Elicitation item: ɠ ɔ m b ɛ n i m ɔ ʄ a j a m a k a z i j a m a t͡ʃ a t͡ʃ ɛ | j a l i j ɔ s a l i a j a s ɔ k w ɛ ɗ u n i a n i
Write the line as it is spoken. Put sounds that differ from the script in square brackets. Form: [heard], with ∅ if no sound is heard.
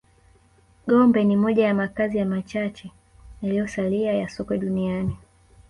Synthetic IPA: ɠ ɔ m b ɛ n i m ɔ ʄ a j a m a k a z i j a m a t͡ʃ a t͡ʃ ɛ | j a l i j ɔ s a l i a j a s ɔ k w ɛ ɗ u n i a n i